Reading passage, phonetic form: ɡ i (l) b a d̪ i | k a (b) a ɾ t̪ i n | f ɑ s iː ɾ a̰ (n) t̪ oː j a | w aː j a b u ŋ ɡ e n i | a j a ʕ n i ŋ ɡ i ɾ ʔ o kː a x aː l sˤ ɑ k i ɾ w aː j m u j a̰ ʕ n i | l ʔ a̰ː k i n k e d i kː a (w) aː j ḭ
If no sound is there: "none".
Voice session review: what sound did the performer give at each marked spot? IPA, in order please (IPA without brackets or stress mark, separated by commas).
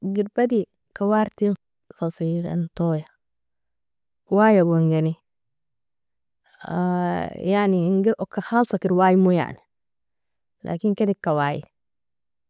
ɾ, w, n, w